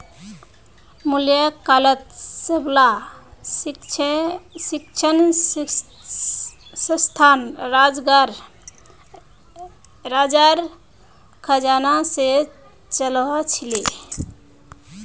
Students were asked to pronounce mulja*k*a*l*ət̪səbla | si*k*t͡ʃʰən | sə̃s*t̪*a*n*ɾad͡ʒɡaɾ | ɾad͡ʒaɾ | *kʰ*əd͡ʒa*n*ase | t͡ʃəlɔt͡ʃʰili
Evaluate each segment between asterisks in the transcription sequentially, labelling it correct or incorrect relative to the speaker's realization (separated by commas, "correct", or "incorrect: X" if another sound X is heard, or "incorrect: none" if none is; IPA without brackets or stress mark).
correct, correct, correct, incorrect: t̪ʰ, correct, correct, correct